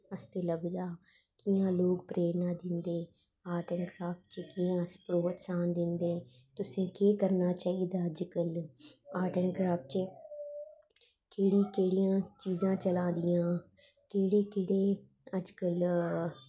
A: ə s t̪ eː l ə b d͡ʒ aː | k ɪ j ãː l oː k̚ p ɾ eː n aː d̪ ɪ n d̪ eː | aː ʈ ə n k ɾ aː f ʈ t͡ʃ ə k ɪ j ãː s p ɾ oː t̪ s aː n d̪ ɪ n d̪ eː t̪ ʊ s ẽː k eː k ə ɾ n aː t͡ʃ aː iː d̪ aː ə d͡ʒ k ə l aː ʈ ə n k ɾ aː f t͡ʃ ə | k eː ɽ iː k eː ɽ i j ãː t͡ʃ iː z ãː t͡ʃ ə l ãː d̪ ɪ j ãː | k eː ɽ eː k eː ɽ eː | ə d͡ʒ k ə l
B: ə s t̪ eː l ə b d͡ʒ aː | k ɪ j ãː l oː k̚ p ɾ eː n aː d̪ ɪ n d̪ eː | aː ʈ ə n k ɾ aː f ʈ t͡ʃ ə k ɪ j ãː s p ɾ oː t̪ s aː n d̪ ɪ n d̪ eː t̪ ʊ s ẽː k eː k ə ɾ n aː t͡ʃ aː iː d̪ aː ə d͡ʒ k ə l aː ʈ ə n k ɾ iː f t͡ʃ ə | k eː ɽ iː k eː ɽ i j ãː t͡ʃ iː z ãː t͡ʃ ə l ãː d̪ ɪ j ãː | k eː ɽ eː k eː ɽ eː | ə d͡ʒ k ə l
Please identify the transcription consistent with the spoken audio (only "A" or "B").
A